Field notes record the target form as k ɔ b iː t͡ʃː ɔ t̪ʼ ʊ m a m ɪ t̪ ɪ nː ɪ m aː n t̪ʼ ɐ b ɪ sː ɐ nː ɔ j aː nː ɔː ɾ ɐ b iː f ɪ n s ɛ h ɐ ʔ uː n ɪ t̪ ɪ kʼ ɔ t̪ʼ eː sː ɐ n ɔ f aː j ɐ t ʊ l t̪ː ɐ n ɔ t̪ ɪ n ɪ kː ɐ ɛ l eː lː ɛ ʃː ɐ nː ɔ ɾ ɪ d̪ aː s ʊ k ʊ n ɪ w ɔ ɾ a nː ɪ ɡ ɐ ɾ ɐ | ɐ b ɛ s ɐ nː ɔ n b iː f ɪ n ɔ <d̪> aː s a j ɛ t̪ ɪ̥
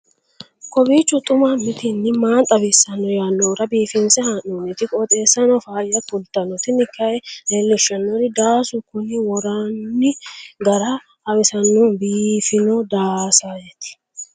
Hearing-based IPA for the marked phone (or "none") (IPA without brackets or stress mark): d̪